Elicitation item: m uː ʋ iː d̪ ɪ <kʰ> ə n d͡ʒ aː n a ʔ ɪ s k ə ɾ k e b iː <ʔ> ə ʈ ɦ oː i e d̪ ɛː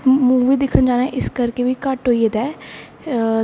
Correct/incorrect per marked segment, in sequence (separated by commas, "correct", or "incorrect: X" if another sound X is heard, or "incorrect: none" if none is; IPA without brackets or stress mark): correct, incorrect: k